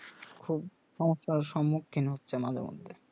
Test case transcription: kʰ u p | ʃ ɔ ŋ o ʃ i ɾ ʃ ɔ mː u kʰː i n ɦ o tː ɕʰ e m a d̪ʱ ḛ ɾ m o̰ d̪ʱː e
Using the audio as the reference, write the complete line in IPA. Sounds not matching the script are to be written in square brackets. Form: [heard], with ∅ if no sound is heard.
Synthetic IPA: kʰ u [b] | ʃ ɔ [m] o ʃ [a] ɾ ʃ ɔ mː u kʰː i n ɦ o tː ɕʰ e m a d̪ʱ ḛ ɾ m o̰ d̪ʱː e